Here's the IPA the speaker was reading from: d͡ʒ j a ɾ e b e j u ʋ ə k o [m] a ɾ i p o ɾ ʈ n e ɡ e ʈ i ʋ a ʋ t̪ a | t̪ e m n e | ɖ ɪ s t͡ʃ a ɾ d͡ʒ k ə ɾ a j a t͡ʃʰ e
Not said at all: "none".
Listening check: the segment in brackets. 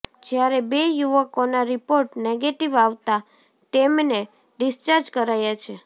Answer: n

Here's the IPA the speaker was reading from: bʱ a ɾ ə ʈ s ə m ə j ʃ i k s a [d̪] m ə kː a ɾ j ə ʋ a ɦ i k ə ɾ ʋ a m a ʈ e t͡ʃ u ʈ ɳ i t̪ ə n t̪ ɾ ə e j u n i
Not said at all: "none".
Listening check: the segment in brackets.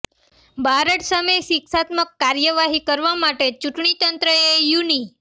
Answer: t̪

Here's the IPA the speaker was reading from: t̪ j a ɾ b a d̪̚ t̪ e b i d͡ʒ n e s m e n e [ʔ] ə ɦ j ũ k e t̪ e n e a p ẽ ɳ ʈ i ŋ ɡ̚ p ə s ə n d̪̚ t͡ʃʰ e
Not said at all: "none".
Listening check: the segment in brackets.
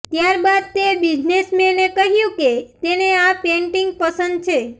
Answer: k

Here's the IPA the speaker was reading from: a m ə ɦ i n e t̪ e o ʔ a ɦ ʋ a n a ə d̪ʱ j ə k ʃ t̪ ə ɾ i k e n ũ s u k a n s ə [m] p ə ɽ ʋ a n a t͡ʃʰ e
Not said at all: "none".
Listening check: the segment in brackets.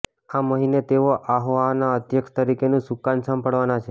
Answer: m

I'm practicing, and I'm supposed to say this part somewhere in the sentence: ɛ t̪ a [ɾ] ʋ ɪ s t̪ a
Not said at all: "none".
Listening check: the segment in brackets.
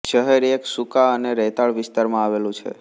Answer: ɭ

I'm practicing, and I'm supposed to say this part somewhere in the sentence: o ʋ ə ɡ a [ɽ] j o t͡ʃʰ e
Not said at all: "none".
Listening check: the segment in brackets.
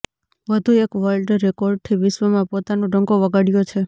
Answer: ɽ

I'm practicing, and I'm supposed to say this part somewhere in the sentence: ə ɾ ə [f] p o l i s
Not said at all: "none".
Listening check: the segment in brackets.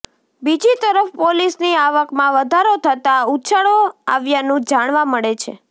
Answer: f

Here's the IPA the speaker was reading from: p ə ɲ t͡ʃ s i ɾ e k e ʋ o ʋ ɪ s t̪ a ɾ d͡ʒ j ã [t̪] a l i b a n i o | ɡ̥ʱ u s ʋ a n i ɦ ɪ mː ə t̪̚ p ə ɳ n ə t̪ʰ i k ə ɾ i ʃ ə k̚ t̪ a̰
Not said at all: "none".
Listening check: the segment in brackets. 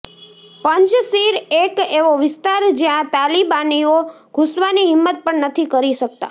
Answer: t̪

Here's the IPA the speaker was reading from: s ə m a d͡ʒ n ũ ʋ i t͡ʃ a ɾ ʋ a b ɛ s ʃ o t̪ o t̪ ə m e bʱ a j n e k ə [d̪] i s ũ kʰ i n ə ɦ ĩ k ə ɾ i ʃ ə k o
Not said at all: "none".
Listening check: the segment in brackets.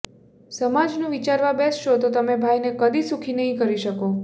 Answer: d̪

